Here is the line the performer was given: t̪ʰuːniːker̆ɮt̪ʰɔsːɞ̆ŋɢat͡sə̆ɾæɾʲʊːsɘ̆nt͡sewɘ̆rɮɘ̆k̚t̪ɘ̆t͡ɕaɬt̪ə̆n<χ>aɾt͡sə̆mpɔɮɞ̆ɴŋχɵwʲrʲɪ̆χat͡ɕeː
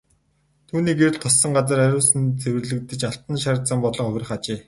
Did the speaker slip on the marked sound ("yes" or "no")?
yes